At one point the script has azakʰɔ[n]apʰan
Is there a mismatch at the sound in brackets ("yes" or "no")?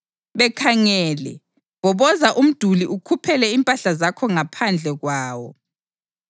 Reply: yes